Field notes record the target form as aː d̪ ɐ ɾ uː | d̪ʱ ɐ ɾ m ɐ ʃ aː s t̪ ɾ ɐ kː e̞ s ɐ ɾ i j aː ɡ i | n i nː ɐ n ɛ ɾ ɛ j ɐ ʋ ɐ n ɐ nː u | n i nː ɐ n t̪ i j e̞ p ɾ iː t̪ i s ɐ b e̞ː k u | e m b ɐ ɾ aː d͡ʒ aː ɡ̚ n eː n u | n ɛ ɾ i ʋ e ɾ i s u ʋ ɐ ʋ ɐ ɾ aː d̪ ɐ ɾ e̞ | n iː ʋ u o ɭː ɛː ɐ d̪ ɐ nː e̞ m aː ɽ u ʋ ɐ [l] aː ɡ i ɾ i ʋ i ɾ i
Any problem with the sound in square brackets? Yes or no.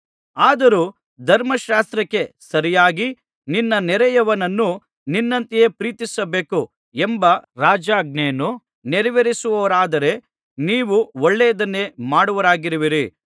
yes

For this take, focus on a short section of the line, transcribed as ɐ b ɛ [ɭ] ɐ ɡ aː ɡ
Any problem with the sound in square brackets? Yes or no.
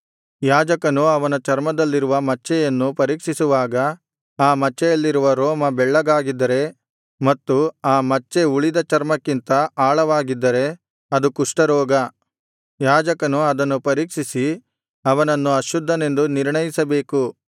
yes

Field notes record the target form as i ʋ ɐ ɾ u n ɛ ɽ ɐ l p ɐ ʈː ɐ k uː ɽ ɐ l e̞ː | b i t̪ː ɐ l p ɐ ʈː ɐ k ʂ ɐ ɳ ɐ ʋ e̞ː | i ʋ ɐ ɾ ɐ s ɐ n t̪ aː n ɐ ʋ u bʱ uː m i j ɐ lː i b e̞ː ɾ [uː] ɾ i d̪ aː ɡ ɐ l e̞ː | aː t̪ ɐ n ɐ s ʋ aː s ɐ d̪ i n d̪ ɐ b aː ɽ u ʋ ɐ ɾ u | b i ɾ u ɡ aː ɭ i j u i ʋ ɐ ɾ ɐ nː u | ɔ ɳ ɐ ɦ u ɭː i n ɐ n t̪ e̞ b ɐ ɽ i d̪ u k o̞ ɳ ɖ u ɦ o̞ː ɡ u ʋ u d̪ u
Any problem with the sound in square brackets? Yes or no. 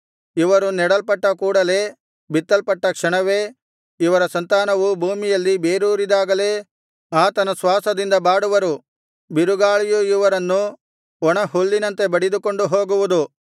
no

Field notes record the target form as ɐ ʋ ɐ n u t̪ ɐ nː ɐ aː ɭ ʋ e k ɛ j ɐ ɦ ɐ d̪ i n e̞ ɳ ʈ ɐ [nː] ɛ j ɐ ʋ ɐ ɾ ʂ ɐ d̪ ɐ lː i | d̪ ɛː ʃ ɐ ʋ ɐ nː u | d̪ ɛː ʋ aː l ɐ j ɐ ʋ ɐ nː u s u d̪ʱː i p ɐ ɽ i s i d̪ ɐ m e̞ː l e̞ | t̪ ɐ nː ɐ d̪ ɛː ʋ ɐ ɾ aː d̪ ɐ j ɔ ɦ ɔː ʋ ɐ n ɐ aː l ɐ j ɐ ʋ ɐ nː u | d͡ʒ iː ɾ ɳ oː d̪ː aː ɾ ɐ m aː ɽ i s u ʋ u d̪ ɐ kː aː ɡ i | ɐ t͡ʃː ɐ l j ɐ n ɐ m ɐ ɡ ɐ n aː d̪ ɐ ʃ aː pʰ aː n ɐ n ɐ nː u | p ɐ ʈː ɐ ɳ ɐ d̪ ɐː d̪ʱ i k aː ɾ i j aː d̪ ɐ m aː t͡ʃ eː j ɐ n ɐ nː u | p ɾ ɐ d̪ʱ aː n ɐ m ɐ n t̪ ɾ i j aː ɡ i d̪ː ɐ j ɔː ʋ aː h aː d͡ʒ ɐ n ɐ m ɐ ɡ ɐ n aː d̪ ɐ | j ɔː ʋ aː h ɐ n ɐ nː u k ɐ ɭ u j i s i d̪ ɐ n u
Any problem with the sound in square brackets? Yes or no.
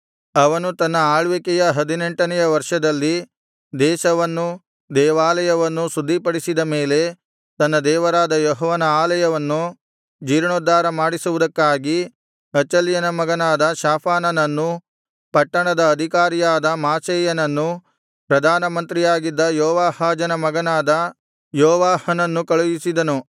yes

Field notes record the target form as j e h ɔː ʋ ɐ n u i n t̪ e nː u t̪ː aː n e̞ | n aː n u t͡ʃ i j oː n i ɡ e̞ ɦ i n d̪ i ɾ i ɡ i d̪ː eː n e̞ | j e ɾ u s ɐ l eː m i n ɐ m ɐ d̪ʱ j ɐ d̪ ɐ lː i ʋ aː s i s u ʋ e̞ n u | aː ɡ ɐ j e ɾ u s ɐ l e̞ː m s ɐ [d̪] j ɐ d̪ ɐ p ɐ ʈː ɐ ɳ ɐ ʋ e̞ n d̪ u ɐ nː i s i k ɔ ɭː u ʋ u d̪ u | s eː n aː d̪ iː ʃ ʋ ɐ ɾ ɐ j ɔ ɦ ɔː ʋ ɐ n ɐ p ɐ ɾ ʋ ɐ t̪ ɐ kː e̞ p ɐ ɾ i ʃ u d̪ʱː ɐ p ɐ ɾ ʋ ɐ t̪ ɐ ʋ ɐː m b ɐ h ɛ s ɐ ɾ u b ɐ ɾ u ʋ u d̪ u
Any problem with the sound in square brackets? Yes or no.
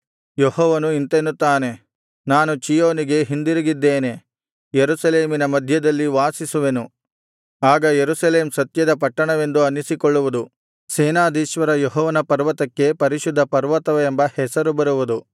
yes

